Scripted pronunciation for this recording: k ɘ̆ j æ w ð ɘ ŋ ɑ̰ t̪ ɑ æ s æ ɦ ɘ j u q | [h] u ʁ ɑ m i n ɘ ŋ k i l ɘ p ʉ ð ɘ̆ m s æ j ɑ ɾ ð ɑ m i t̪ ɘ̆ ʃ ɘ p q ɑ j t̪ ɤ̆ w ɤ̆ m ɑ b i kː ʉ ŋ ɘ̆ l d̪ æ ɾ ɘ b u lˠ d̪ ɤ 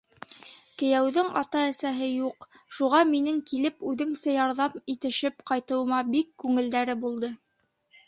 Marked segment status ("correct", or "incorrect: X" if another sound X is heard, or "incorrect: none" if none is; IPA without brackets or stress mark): incorrect: ʃ